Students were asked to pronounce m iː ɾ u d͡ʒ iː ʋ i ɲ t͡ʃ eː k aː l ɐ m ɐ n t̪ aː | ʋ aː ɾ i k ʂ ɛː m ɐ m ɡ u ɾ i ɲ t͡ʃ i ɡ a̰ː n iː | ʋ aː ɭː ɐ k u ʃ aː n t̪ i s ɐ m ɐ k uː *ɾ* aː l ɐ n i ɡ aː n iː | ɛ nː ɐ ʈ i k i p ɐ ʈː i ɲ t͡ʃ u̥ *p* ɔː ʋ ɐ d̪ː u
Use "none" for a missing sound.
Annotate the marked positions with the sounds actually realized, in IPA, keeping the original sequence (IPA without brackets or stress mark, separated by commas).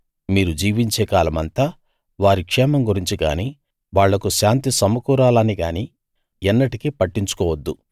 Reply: ɾ, k